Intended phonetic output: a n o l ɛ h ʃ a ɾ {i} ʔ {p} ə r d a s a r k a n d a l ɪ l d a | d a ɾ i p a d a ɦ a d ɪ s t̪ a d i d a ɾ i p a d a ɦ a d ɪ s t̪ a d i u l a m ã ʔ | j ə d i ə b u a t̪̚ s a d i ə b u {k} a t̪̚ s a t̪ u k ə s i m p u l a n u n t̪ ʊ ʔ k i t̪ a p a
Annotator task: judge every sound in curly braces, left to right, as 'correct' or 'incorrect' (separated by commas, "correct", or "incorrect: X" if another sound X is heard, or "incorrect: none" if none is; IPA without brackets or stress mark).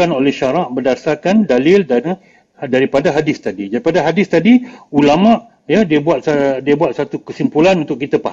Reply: incorrect: a, incorrect: b, incorrect: none